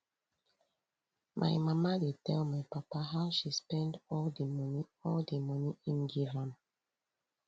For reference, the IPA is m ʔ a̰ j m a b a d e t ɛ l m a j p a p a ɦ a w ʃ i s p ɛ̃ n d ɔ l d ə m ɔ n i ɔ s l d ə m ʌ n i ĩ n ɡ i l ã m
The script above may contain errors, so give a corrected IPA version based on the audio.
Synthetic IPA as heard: m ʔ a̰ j m a m a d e t ɛ l m a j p a p a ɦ a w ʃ i s p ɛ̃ n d ɔ l d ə m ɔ n i ɔ l d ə m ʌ n i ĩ n ɡ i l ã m

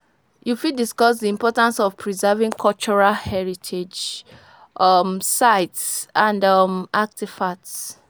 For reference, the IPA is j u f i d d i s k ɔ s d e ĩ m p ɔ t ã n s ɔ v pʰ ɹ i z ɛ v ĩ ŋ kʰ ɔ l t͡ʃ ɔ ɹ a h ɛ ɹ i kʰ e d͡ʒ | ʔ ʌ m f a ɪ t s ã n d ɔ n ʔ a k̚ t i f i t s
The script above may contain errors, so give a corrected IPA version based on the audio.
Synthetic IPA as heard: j u f i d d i s k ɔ s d i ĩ m p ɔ t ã n s ɔ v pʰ ɹ i z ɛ v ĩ ŋ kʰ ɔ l t͡ʃ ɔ ɹ a h ɛ ɹ i tʰ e d͡ʒ | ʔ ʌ m s a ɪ t s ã n d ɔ m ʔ a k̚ t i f a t s

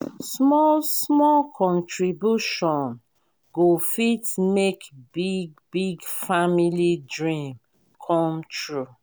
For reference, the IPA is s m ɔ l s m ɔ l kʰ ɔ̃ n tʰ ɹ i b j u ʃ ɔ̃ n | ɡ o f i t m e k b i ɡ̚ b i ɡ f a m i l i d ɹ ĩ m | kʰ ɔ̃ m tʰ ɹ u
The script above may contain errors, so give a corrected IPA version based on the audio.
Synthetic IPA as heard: s m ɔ l s m ɔ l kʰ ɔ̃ n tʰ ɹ i b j u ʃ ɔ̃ n | ɡ o f i t m e k b i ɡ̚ b i ɡ f a m i l i d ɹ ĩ m | kʰ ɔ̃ m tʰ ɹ u

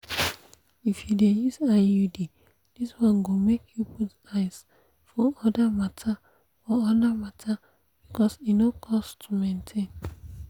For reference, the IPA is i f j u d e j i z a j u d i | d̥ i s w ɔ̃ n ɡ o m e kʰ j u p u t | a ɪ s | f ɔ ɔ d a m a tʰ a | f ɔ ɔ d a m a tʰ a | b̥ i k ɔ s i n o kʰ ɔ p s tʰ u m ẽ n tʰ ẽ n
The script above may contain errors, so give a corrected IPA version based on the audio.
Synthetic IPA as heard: i f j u d e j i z a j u d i | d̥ i s w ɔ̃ n ɡ o m e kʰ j u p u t | a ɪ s | f ɔ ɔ d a m a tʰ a | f ɔ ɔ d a m a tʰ a | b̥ i k ɔ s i n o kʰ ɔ s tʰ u m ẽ n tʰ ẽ n

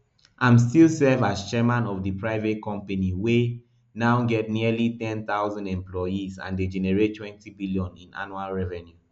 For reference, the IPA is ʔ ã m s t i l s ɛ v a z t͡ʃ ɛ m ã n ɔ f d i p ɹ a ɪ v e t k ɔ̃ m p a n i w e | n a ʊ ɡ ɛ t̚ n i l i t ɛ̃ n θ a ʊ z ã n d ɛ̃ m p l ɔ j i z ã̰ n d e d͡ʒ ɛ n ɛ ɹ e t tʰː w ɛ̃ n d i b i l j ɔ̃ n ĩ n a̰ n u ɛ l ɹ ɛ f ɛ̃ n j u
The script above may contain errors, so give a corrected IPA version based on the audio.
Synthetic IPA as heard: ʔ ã m s t i l s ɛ v a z t͡ʃ ɛ m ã n ɔ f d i p ɹ a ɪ v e t k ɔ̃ m p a n i w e | n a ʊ ɡ ɛ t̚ n i l i t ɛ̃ n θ a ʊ z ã n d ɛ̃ m p l ɔ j i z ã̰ n d e d͡ʒ ɛ n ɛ ɹ e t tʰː w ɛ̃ n t i b i l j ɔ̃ n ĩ n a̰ n u a l ɹ ɛ v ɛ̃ n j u

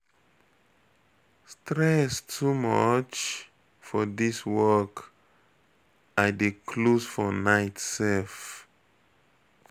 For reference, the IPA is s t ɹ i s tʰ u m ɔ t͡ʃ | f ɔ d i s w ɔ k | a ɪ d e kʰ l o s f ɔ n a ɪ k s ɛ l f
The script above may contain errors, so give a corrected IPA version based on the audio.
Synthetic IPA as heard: s t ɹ ɛ s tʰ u m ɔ t͡ʃ | f ɔ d i s w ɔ k | a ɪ d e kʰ l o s f ɔ n a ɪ t s ɛ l f

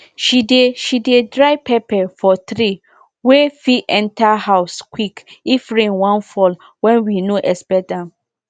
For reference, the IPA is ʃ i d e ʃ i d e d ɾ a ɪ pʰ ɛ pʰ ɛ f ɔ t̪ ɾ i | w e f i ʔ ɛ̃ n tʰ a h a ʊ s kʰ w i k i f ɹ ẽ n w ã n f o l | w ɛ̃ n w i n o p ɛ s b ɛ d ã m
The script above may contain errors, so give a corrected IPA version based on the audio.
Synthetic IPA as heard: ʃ i d e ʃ i d e d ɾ a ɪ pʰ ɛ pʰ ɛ f ɔ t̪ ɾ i | w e f i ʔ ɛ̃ n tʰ a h a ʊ s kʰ w i k i f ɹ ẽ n w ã n f ɔ l | w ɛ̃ n w i n o ʔ ɛ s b ɛ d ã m

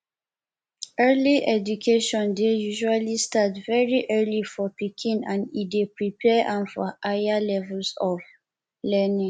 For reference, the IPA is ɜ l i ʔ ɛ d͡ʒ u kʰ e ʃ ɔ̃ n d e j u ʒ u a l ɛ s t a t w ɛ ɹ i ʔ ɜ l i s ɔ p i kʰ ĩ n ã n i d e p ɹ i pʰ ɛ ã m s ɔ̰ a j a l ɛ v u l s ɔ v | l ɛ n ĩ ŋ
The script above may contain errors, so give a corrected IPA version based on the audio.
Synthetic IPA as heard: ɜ l i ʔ ɛ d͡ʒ u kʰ e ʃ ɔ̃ n d e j u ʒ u a l i s t a t v ɛ ɹ i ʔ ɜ l i f ɔ p i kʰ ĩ n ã n i d e p ɹ i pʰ ɛ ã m f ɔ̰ a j a l ɛ v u l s ɔ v | l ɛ n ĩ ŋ

